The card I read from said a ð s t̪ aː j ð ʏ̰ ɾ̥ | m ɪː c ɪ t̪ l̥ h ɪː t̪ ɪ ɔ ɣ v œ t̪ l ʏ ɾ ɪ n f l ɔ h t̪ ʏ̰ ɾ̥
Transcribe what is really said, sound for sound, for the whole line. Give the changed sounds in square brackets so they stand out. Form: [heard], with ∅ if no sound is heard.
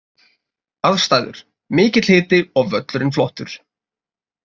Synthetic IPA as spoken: a ð s t̪ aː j ð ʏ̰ ɾ̥ | m ɪː c ɪ t̪ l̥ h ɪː t̪ ɪ ɔ ɣ v œ t̪ l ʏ ɾ ɪ n f l ɔ h t̪ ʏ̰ ɾ̥